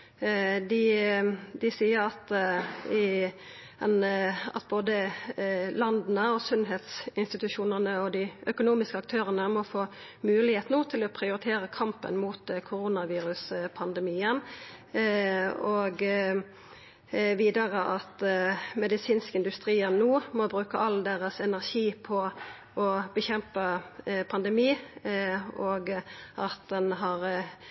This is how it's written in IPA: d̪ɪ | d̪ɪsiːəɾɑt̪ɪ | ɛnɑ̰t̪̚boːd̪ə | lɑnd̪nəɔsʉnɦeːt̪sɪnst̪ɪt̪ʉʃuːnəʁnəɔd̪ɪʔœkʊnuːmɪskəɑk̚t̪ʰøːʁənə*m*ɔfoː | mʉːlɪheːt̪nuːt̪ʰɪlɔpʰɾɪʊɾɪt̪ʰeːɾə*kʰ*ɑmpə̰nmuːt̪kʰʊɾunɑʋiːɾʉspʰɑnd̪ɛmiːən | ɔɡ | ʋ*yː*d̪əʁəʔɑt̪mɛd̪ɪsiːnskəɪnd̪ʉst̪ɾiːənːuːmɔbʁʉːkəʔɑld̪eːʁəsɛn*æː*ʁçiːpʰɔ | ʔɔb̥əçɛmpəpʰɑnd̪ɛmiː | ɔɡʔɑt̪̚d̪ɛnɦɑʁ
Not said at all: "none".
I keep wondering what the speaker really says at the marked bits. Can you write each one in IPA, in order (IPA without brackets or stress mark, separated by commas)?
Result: m, kʰ, iː, æ